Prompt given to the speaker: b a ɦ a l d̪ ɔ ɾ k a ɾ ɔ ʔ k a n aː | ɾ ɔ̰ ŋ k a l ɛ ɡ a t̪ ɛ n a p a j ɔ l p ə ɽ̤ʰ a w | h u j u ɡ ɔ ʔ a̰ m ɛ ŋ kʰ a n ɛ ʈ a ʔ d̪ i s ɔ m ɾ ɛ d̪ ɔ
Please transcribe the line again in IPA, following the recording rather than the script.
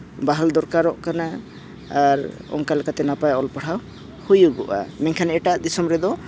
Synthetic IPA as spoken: b a ɦ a l d̪ ɔ ɾ k a ɾ ɔ ʔ k a n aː | ɾ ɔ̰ ŋ k a l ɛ k a t̪ ɛ n a p a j ɔ l p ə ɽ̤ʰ a w | h u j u ɡ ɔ ʔ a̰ m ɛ ŋ kʰ a n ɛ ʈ a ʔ d̪ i s ɔ m ɾ ɛ d̪ ɔ